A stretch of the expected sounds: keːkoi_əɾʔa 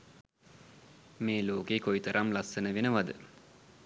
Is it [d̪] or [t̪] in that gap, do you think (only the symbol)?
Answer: t̪